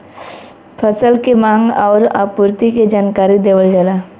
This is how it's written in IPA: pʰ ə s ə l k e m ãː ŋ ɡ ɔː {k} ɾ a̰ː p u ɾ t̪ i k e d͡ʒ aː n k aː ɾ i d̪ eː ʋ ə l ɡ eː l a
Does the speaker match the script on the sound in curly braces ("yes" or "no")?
no